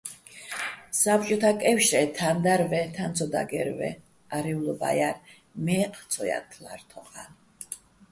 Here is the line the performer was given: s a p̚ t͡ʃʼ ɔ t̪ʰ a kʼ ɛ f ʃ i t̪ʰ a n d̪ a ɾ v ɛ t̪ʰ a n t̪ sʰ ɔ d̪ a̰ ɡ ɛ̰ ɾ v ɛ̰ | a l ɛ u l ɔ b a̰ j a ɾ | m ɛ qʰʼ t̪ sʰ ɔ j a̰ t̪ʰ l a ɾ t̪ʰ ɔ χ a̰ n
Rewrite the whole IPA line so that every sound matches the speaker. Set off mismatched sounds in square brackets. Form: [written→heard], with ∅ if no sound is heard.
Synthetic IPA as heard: s a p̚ t͡ʃʼ ɔ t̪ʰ a kʼ ɛ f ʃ [i→ɛ] t̪ʰ a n d̪ a ɾ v ɛ t̪ʰ a n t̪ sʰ ɔ d̪ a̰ ɡ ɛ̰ ɾ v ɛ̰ | a [l→ɾ] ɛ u l ɔ b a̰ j a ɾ | m ɛ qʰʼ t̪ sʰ ɔ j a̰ t̪ʰ l a ɾ t̪ʰ ɔ χ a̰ n